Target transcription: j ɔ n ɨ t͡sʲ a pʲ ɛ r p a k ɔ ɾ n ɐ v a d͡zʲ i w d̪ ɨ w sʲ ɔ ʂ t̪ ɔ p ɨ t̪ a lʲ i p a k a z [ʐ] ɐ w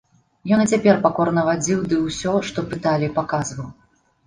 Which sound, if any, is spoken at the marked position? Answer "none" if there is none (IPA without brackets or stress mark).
v